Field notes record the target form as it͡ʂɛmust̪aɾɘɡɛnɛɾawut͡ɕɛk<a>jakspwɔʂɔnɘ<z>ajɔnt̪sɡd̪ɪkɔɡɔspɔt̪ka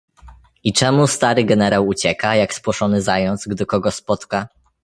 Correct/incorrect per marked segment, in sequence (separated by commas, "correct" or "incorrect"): correct, correct